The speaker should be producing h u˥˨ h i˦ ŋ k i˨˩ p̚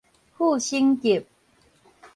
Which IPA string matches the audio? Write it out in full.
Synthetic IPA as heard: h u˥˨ ɕ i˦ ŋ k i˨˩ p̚